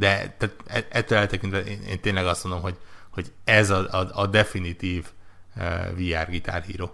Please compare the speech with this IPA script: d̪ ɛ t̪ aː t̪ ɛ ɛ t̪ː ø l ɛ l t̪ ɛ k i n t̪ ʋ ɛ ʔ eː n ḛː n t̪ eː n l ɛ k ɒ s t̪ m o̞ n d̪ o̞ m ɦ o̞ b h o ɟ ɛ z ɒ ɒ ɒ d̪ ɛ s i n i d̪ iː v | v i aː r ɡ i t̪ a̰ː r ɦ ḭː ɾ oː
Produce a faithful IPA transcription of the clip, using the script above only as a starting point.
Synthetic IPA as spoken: d̪ ɛ t̪ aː t̪ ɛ ɛ t̪ː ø l ɛ l t̪ ɛ k i n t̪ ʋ ɛ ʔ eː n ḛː n t̪ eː n l ɛ ɡ ɒ s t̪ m o̞ n d̪ o̞ m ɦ o̞ ɟ h o ɟ ɛ z ɒ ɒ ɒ d̪ ɛ f i n i t̪ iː v | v i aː r ɡ i t̪ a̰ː r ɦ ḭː ɾ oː